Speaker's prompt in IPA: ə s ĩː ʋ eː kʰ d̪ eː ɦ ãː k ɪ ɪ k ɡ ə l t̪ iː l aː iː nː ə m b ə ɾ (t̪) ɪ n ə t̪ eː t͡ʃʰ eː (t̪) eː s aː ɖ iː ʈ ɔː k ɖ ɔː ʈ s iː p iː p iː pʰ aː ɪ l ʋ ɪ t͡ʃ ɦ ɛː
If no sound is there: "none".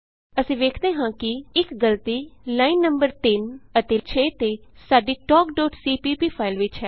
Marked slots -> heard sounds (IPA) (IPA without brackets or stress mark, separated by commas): t̪, t̪